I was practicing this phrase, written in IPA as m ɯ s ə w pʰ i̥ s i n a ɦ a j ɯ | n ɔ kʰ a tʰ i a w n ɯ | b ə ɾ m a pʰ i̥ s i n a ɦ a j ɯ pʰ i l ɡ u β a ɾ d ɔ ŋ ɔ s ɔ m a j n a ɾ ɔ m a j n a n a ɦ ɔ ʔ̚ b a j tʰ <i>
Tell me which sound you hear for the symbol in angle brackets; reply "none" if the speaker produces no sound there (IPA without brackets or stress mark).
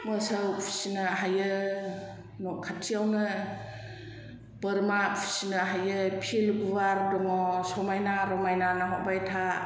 a